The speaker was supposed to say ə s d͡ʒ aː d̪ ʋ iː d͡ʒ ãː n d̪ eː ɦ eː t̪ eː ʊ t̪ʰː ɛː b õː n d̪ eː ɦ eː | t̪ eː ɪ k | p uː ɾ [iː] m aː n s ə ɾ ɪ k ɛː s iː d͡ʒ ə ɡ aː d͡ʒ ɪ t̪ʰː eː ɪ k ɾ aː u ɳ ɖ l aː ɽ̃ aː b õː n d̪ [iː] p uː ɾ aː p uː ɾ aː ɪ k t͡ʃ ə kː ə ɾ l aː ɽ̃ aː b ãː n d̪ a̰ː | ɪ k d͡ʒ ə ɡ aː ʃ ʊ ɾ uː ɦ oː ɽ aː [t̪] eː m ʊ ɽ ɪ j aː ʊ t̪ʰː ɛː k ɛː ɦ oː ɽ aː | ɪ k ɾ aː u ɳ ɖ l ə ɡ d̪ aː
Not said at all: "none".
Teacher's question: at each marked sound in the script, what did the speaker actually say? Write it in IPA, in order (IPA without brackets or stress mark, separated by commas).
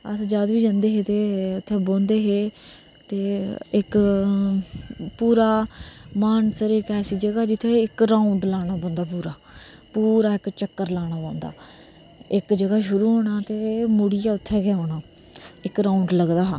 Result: aː, aː, t̪